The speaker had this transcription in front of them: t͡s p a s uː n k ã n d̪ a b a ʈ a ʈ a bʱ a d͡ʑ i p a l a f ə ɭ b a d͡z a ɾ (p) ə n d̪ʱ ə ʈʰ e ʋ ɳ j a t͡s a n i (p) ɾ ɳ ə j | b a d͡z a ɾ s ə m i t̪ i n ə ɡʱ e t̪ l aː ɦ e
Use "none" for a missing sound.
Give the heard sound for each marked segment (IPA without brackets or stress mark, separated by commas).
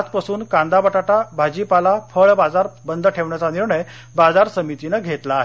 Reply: b, none